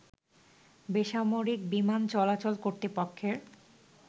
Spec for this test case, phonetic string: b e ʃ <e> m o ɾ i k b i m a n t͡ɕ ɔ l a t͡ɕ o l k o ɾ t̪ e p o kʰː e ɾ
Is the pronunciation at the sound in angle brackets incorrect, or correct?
incorrect